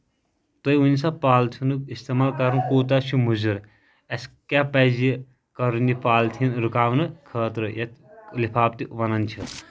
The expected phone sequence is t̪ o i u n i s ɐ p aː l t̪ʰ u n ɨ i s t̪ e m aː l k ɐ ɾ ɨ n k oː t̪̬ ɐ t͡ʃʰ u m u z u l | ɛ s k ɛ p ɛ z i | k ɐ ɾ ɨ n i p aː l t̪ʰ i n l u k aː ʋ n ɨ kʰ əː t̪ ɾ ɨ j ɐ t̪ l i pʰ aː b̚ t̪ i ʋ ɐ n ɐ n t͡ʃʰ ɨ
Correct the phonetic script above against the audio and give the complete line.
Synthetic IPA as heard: t̪ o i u n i s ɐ p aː l t̪ʰ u n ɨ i s t̪ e m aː l k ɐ ɾ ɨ n k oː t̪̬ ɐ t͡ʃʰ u m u z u ɾ | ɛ s k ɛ p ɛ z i | k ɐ ɾ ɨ n i p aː l t̪ʰ i n ɾ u k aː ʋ n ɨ kʰ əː t̪ ɾ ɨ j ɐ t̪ l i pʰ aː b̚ t̪ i ʋ ɐ n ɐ n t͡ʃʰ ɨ